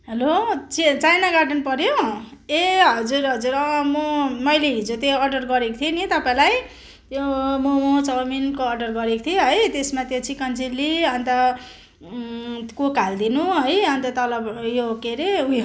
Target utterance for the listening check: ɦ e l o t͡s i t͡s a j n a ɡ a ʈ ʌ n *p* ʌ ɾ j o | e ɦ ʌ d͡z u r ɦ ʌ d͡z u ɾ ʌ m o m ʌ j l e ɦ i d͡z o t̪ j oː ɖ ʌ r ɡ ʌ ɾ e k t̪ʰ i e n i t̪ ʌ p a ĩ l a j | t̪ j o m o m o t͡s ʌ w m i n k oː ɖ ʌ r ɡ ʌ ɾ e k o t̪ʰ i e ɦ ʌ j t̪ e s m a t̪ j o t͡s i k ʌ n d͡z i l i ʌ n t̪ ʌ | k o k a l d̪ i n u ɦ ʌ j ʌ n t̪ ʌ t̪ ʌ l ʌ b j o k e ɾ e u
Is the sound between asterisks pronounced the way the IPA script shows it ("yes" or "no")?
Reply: yes